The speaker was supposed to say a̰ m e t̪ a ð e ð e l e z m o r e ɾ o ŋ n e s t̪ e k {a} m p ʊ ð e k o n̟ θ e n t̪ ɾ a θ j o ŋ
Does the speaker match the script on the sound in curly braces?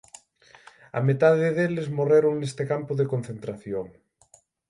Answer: yes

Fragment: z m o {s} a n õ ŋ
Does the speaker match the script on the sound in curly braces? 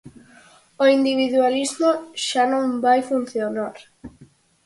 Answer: no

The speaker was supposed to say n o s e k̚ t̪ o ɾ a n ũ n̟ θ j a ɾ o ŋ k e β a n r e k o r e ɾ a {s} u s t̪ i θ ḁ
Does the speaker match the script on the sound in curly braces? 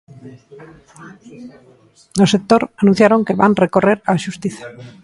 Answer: no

